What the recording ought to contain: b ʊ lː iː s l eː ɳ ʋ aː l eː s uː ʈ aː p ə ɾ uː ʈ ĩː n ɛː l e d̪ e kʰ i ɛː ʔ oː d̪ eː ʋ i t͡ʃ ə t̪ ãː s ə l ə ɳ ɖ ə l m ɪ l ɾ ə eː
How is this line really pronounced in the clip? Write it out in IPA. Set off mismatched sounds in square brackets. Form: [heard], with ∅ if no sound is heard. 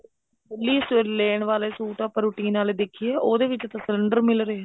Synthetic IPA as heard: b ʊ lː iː s l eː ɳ ʋ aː l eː s uː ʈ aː p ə ɾ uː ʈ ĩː n [aː] l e d̪ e kʰ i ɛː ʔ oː d̪ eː ʋ [ɪ] t͡ʃ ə t̪ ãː s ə l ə ɳ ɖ ə [ɾ] m ɪ l ɾ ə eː